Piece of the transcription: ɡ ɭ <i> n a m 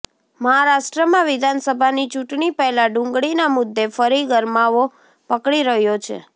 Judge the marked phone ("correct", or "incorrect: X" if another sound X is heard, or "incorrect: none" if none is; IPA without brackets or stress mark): correct